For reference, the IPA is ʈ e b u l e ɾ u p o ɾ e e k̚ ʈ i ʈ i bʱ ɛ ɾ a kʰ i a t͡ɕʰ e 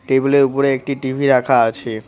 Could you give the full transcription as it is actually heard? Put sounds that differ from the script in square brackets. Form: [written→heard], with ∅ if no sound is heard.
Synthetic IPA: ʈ e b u l e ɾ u p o ɾ e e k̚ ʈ i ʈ i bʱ [ɛ→i] ɾ a kʰ [i→a] a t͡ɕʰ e